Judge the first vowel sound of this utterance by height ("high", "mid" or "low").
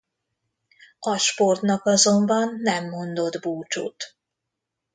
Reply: low